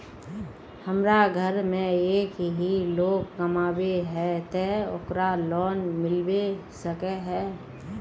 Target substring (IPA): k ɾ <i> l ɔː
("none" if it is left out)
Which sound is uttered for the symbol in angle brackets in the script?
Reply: a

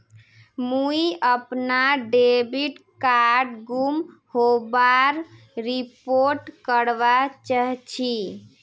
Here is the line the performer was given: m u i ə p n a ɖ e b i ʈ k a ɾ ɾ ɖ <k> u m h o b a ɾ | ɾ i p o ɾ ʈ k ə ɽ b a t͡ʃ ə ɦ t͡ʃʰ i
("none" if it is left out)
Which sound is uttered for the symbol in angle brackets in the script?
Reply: ɡ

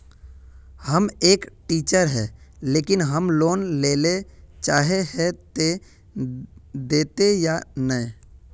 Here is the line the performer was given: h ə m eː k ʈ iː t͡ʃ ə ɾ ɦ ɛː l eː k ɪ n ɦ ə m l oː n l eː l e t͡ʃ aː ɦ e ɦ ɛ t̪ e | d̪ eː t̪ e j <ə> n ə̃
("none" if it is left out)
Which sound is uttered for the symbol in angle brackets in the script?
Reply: a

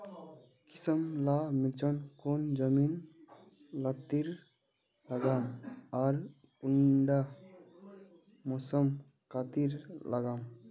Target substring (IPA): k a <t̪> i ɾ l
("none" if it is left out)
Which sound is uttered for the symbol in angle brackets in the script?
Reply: t̪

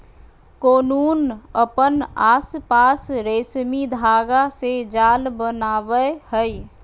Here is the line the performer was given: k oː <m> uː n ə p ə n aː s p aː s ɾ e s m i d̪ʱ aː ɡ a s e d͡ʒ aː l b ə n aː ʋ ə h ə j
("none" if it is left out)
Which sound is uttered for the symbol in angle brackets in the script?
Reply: n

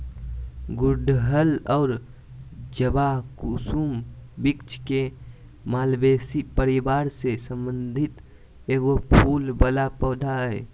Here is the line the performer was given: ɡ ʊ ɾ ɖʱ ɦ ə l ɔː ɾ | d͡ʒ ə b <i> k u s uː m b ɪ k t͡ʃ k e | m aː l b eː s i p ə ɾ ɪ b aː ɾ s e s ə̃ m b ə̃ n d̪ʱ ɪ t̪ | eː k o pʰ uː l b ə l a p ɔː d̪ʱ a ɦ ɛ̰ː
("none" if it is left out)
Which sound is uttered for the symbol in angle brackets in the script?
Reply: a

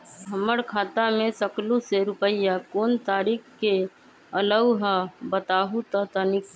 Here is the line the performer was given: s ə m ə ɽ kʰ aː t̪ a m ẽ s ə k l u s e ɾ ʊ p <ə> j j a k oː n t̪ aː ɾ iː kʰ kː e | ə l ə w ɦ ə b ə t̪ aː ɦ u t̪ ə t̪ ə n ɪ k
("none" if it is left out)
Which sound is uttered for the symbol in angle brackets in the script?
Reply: ə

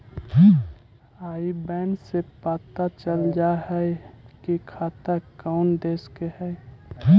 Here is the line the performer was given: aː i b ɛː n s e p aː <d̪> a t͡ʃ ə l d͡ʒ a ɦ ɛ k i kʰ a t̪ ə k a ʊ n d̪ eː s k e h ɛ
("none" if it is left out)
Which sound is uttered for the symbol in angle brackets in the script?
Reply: t̪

